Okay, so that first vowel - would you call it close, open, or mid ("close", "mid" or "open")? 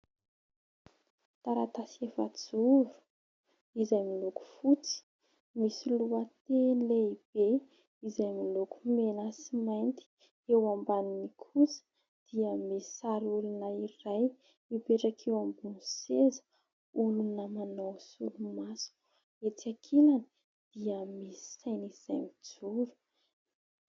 open